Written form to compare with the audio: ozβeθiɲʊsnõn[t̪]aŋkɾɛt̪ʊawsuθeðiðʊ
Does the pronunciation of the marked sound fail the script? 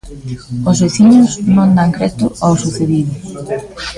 yes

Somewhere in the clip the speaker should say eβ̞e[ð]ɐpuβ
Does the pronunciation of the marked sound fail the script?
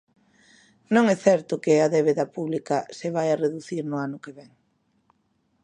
no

